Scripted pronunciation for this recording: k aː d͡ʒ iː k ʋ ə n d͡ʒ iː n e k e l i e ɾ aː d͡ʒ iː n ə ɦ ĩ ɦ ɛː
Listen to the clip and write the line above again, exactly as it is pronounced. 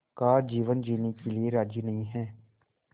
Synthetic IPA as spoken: k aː d͡ʒ iː ʋ ə n d͡ʒ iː n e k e l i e ɾ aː d͡ʒ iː n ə ɦ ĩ ɦ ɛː